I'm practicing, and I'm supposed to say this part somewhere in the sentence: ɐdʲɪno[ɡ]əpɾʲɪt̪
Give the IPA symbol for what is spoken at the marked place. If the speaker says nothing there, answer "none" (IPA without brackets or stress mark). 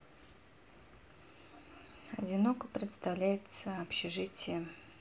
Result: k